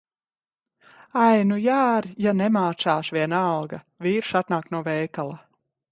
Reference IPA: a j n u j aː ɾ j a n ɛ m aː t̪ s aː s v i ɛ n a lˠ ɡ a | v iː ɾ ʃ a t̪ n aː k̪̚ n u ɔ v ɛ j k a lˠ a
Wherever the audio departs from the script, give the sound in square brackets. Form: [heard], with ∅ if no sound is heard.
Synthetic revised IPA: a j n u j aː ɾ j a n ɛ m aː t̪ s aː [ʃ] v i ɛ n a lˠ ɡ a | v iː ɾ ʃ a t̪ n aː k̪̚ n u ɔ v ɛ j k a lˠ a